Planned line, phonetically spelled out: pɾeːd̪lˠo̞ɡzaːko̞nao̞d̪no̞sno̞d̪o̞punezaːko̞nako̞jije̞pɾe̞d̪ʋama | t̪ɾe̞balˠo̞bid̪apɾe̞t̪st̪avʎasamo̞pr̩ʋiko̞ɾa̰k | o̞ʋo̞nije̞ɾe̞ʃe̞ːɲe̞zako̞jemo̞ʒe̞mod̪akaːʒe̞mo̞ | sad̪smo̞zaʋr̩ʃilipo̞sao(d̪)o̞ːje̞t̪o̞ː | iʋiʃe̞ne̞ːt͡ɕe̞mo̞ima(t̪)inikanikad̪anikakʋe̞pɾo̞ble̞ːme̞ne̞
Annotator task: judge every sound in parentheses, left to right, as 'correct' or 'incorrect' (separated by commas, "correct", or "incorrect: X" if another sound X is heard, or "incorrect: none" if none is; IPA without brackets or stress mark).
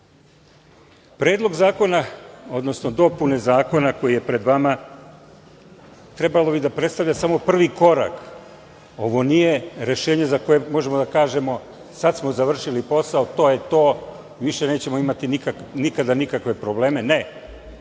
incorrect: t̪, correct